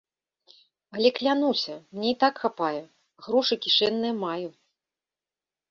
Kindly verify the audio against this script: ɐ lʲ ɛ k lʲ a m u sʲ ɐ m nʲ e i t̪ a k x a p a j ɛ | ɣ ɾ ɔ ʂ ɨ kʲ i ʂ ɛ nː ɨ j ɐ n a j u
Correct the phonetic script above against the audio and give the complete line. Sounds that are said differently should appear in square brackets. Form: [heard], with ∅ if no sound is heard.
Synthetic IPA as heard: ɐ lʲ ɛ k lʲ a [n] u sʲ ɐ m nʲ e i t̪ a k x a p a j ɛ | ɣ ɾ ɔ ʂ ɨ kʲ i ʂ ɛ nː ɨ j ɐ [m] a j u